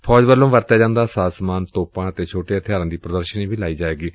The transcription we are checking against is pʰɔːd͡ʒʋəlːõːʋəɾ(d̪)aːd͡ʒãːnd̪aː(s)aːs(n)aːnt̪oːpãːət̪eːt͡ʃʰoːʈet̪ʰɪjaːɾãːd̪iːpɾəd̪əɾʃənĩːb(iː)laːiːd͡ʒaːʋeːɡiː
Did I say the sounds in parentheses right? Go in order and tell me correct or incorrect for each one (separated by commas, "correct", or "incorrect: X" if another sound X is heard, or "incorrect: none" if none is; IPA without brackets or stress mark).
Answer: incorrect: t̪, correct, incorrect: m, correct